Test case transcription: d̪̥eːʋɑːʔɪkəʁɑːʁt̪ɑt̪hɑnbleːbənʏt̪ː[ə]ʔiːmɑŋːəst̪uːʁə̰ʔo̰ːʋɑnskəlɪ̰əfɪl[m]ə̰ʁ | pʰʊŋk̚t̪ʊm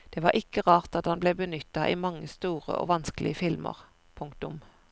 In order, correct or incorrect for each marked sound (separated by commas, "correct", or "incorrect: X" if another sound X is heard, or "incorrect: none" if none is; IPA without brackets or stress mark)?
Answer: incorrect: ɑ, correct